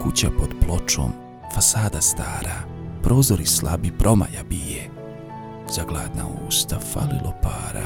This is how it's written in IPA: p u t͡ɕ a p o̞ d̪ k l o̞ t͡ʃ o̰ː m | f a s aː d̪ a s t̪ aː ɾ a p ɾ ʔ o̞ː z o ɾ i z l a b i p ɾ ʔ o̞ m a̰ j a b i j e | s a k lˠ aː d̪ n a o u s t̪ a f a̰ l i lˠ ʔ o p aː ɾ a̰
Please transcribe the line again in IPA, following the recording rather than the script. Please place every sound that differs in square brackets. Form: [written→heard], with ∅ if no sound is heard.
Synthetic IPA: [p→k] u t͡ɕ a p o̞ d̪ [k→p] l o̞ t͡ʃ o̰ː m | f a s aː d̪ a s t̪ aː ɾ a p ɾ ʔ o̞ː z o ɾ i [z→s] l a b i p ɾ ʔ o̞ m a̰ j a b i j e | [s→z] a [k→ɡ] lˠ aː d̪ n a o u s t̪ a f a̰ l i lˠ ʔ o p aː ɾ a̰